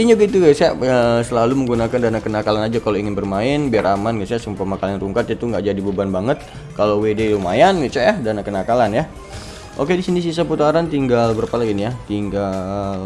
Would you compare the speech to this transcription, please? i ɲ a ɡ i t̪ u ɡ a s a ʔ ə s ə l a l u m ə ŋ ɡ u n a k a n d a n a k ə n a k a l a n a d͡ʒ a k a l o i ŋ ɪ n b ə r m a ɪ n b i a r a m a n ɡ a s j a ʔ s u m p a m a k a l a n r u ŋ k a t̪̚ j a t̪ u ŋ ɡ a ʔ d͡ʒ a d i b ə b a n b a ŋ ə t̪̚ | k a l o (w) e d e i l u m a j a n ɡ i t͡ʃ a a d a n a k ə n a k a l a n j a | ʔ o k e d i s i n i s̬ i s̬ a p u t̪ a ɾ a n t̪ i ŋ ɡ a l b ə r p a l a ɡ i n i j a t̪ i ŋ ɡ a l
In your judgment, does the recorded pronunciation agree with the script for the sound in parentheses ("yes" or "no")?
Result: yes